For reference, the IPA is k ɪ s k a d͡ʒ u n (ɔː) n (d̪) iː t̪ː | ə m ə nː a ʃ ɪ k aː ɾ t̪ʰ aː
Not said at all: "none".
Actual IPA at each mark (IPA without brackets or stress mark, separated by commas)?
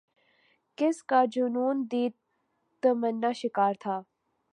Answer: uː, d̪